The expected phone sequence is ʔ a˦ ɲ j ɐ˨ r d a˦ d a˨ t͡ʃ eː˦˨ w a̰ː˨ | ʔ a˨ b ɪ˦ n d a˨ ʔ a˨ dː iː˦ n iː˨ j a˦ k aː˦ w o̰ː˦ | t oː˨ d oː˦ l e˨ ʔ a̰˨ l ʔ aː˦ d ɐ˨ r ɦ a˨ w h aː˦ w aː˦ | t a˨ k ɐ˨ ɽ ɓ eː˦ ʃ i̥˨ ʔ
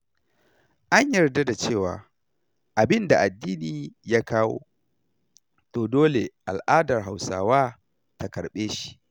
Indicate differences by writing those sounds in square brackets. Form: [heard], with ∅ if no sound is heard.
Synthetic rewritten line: ʔ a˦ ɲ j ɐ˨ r d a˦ d a˨ t͡ʃ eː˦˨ w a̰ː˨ | ʔ a˨ b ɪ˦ n d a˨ ʔ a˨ dː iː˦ n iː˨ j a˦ k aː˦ w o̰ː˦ | t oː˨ d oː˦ l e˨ ʔ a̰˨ l ʔ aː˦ d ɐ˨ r ɦ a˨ w [s] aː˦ w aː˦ | t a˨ k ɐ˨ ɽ ɓ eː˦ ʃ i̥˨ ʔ